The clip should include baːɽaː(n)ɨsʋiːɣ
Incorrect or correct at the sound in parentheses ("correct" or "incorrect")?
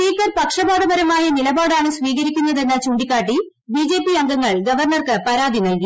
incorrect